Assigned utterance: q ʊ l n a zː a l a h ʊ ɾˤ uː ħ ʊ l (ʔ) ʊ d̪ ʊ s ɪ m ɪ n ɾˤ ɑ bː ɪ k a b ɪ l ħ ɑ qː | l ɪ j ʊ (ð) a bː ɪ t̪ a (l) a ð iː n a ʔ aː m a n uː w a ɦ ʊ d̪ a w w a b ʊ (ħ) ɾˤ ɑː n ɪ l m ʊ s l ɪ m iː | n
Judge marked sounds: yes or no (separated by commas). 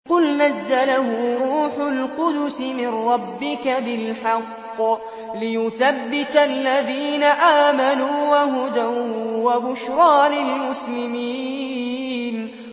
no, no, no, no